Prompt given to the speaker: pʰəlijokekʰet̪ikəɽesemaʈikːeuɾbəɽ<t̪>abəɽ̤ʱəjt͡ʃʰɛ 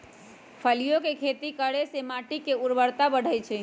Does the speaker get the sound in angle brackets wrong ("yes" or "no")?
no